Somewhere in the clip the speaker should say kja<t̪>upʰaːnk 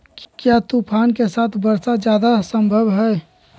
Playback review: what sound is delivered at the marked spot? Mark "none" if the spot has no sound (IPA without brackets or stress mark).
t̪